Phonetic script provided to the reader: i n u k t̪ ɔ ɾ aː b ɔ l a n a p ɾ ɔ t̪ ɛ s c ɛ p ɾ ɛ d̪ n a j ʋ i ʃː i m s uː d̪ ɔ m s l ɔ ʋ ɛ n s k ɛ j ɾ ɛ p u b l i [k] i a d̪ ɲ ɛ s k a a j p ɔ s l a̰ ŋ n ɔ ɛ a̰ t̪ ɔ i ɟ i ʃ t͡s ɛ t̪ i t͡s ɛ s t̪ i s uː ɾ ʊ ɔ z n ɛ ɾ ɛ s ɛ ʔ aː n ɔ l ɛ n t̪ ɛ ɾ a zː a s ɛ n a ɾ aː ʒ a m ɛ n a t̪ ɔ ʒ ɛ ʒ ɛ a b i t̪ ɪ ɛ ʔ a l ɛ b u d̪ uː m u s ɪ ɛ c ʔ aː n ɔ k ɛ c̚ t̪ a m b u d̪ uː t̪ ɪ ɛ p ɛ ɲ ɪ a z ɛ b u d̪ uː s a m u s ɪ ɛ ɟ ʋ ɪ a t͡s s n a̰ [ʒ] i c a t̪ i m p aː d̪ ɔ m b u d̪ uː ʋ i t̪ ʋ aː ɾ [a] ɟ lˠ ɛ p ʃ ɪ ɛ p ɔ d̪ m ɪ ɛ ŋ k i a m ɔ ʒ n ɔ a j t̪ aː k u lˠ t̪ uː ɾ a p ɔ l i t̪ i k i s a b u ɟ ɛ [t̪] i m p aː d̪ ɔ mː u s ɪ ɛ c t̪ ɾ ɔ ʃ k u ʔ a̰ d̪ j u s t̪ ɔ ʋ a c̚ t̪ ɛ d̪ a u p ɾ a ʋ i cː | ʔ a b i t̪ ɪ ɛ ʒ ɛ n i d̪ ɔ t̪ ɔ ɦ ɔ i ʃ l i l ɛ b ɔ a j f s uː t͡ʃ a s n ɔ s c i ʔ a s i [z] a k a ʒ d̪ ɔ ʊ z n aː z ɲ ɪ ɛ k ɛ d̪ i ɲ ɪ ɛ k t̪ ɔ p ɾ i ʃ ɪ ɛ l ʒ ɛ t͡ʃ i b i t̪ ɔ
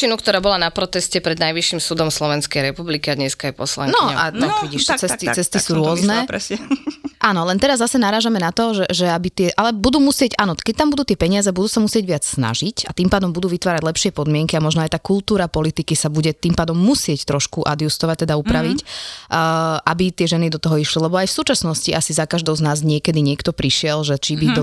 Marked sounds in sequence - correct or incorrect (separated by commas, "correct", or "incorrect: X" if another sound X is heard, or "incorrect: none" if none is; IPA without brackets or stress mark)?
correct, correct, correct, correct, correct